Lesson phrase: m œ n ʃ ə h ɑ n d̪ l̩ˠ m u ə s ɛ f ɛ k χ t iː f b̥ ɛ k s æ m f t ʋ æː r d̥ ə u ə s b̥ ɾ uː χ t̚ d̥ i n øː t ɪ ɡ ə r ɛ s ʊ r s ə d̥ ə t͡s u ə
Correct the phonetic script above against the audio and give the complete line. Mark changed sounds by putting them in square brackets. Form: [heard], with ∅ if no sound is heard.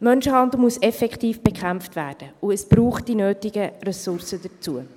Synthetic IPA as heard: m œ n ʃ ə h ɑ n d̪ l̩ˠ m u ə s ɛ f ɛ k χ t iː f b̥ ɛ k [χ] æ m f t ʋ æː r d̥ ə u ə s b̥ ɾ uː χ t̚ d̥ i n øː t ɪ ɡ ə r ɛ s ʊ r s ə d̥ ə t͡s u ə